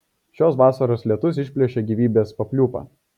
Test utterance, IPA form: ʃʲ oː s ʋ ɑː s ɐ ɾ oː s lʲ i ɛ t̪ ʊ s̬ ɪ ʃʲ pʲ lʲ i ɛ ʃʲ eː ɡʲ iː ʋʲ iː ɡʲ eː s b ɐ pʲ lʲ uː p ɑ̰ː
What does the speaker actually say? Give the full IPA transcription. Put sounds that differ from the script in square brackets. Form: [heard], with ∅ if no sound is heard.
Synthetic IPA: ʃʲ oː s ʋ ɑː s ɐ ɾ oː s lʲ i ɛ t̪ ʊ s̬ ɪ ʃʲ pʲ lʲ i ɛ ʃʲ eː ɡʲ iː ʋʲ iː [bʲ] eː s [p] ɐ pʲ lʲ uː p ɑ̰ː